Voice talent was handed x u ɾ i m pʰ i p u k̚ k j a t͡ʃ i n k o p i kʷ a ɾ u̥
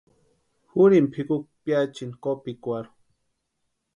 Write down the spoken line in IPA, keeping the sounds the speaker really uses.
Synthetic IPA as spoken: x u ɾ i m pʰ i k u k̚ p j a t͡ʃ i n k o p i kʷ a ɾ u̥